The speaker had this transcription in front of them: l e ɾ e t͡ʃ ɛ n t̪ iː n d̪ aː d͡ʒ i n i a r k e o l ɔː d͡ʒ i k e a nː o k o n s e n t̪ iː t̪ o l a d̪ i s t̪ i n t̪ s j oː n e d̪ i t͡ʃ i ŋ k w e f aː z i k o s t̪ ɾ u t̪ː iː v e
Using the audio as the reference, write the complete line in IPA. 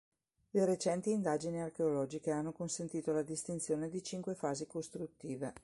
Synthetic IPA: l e ɾ e t͡ʃ ɛ n t̪ iː n d̪ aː d͡ʒ i n i a r k e o l ɔː d͡ʒ i k e a nː o k o n s e n t̪ iː t̪ o l a d̪ i s t̪ i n t̪ s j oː n e d̪ i t͡ʃ i ŋ k w e f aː z i k o s t̪ ɾ u t̪ː iː v e